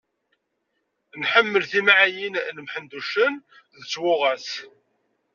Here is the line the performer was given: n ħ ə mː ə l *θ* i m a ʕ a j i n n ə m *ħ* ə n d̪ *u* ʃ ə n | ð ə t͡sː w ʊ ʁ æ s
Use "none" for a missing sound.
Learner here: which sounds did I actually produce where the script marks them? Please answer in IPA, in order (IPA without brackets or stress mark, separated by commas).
θ, ħ, u